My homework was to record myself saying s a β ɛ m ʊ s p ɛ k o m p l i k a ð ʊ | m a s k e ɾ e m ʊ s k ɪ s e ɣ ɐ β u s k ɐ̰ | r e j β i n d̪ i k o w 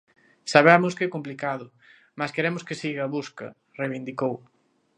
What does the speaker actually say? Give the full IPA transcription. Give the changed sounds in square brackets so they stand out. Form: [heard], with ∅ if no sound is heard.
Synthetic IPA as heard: s a β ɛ m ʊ s [k] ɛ k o m p l i k a ð ʊ | m a s k e ɾ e m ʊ s k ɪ s [i] ɣ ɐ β u s k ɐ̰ | r e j β i n d̪ i k o w